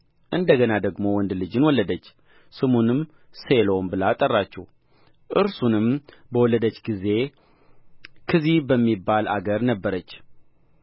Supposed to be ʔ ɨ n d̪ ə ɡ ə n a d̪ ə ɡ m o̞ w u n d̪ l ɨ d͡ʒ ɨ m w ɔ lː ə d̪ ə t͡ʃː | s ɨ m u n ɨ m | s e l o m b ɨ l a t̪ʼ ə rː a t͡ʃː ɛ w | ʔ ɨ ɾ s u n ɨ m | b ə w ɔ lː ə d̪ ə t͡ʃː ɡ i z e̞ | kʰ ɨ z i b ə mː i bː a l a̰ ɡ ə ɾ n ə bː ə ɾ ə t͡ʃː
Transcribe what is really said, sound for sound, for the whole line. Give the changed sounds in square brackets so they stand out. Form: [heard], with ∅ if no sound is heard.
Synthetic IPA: ʔ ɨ n d̪ ə ɡ ə n a d̪ ə ɡ m o̞ w [ɔ] n d̪ l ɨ d͡ʒ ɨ [n] w ɔ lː ə d̪ ə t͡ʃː | s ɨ m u n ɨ m | s e l o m b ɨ l a t̪ʼ ə rː a t͡ʃː ɛ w | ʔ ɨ ɾ s u n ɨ m | b ə w ɔ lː ə d̪ ə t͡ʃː ɡ i z e̞ | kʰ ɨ z i b ə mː i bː a l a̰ ɡ ə ɾ n ə bː ə ɾ ə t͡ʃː